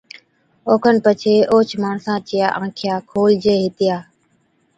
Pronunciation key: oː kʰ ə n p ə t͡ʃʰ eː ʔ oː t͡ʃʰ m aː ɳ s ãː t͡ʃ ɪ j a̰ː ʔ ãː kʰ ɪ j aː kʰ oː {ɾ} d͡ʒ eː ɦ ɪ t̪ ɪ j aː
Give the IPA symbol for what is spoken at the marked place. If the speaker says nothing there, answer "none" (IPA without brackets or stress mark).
l